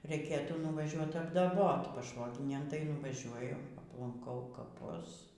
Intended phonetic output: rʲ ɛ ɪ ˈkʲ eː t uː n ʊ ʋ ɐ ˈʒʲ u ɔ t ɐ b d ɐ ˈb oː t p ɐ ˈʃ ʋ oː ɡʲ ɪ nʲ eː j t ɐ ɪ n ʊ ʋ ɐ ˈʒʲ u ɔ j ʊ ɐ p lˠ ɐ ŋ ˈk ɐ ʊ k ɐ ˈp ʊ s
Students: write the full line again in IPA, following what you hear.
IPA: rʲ ɛ ɪ ˈkʲ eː t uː n ʊ ʋ ɐ ˈʒʲ u ɔ t ɐ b d ɐ ˈb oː t p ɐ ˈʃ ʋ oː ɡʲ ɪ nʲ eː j t ɐ ɪ n ʊ ʋ ɐ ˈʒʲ u ɔ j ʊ ɐ p lˠ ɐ ŋ ˈk ɐ ʊ k ɐ ˈp ʊ s